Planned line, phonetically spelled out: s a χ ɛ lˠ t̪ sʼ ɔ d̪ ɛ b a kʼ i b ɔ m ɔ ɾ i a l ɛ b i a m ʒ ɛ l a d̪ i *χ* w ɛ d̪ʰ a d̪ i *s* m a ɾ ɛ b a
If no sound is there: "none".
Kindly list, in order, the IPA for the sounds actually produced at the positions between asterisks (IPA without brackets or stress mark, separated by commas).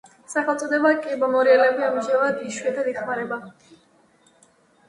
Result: ʃ, χ